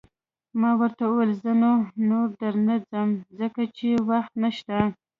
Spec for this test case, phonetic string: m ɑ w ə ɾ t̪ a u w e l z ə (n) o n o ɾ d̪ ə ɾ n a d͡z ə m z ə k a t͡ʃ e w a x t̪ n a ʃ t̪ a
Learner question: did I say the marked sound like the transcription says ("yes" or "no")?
yes